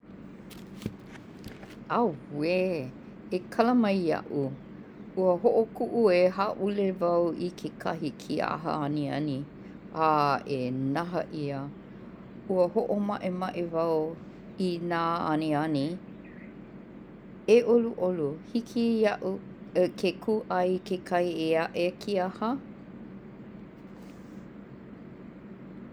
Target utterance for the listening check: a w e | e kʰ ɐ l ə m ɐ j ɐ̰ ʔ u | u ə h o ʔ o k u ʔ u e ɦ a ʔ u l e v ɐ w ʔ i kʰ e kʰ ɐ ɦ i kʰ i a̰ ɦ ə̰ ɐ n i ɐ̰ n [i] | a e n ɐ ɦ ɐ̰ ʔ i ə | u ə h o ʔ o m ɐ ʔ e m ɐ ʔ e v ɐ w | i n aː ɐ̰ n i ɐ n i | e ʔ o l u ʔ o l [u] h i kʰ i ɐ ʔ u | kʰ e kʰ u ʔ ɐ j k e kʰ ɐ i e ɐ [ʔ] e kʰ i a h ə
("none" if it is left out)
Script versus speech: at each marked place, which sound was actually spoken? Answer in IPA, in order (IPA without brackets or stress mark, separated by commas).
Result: i, u, ʔ